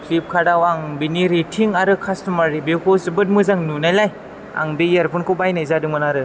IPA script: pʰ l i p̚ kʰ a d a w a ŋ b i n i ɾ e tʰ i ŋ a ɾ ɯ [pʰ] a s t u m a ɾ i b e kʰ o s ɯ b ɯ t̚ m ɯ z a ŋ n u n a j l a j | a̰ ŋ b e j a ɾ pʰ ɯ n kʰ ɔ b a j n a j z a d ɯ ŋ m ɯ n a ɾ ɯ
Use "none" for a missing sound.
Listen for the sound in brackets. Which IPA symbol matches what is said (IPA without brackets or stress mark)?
kʰ